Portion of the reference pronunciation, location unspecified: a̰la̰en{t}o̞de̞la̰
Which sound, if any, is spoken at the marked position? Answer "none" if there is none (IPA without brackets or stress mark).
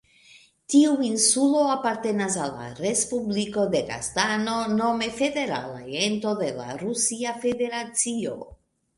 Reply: t